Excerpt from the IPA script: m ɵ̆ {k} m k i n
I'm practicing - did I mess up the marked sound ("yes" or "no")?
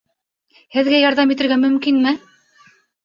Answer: yes